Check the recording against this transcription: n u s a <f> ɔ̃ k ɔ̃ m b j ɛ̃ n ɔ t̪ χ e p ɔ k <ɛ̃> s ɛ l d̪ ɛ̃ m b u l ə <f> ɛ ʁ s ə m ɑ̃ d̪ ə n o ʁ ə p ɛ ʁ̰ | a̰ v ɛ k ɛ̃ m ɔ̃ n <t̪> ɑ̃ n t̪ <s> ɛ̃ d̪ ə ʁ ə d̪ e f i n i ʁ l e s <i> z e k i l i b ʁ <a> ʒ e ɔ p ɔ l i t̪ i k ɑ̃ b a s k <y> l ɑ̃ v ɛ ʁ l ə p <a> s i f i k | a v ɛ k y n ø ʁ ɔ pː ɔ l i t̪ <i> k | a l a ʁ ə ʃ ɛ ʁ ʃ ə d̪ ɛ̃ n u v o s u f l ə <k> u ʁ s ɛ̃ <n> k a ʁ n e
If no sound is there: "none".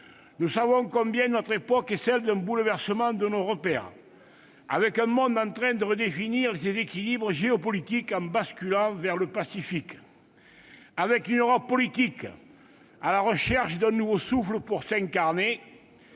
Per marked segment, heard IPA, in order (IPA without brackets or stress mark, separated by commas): v, ɛ, v, d̪, χ, e, ə, y, a, i, p, ŋ